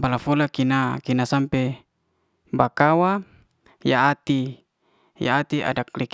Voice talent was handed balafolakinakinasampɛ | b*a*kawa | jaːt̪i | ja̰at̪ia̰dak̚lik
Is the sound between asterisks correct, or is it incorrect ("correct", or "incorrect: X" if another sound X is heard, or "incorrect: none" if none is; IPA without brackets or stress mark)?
correct